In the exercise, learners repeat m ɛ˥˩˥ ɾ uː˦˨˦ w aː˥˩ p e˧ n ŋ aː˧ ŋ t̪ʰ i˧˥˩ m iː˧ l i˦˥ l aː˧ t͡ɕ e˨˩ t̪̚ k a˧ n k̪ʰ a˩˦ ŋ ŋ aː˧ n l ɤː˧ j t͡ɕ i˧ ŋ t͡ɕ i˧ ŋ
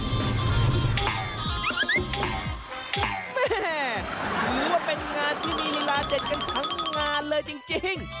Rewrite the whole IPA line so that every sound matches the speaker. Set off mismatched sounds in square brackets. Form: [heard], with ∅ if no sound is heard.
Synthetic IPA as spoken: m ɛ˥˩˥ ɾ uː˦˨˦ w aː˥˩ p e˧ n ŋ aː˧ [n] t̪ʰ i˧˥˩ m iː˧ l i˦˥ l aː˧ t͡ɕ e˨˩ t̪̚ k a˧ n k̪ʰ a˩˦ ŋ ŋ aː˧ n l ɤː˧ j t͡ɕ i˧ ŋ t͡ɕ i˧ ŋ